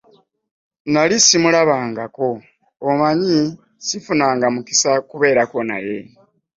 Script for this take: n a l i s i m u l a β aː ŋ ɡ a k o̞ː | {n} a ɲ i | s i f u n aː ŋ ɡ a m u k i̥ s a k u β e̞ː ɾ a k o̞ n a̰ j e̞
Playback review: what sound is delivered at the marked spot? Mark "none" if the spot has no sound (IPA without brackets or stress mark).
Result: m